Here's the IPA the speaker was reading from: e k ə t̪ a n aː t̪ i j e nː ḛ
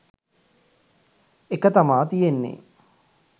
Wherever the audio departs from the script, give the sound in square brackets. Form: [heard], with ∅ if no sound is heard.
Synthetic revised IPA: e k ə t̪ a [m] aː t̪ i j e nː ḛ

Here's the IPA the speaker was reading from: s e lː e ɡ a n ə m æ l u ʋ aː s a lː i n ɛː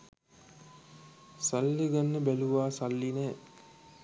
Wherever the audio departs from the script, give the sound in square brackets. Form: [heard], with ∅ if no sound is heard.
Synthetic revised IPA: s [a] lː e ɡ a [nː] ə [b] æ l u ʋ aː s a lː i n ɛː

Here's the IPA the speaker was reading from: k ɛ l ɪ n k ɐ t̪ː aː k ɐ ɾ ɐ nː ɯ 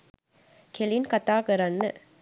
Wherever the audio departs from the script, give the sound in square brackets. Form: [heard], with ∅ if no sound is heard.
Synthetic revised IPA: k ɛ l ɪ n k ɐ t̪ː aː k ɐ ɾ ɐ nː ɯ

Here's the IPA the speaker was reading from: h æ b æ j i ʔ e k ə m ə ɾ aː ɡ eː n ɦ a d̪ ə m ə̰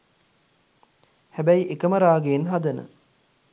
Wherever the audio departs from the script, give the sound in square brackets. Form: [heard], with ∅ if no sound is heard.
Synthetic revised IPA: h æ b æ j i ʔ e k ə m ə ɾ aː ɡ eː n ɦ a d̪ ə [n] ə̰

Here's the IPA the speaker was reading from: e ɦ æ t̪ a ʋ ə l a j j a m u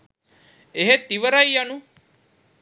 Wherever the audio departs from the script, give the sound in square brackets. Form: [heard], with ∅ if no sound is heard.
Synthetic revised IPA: e ɦ [e] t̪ [i] ʋ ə [ɾ] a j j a [n] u

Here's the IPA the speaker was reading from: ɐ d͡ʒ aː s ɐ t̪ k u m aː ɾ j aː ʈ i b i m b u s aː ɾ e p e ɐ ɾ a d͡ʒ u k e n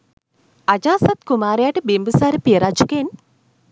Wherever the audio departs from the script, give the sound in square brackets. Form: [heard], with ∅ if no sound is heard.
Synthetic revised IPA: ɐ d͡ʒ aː s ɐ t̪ k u m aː ɾ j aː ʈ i b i m b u s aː ɾ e p [i] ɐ ɾ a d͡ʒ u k e n

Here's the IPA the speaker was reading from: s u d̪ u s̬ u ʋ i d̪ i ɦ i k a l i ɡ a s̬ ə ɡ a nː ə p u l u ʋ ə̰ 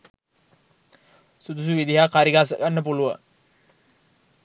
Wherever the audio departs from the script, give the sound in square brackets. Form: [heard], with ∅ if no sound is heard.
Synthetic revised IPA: s u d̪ u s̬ u ʋ i d̪ i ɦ [a] k a [ɾ] i ɡ a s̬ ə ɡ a nː ə p u l u ʋ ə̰

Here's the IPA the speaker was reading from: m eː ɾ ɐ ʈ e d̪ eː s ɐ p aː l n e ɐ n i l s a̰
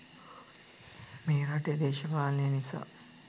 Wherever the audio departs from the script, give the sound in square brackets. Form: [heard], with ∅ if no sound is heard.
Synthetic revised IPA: m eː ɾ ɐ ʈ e d̪ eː [ʃ] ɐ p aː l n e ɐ n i [∅] s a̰

